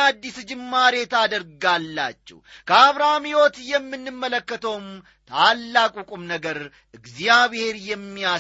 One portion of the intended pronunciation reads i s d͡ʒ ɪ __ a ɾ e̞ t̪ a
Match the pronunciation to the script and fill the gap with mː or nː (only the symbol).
mː